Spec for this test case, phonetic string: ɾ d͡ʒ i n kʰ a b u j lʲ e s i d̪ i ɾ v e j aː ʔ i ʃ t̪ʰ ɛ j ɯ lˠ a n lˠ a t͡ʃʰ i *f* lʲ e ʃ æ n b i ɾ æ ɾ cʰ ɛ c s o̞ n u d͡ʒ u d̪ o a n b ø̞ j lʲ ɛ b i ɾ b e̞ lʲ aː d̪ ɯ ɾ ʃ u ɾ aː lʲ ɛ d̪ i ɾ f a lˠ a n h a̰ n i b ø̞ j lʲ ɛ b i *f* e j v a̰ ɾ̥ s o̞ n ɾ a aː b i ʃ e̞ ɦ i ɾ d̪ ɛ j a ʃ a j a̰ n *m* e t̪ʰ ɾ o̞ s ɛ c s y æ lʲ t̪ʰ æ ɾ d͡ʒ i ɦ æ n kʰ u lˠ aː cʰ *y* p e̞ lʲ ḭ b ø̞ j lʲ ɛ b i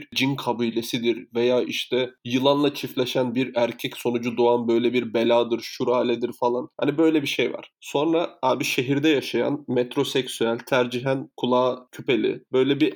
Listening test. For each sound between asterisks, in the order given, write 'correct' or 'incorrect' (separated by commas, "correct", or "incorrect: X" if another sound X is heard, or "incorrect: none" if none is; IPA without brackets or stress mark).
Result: correct, incorrect: ʃ, correct, correct